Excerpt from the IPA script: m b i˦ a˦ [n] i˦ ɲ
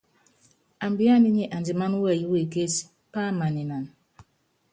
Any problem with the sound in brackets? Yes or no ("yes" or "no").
no